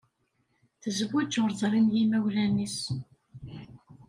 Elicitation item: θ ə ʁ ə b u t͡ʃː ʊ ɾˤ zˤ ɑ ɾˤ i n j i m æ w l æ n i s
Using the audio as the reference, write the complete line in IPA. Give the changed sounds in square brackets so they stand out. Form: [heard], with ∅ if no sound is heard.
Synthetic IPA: θ ə [z] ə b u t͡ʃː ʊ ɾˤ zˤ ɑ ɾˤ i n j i m æ w l æ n i s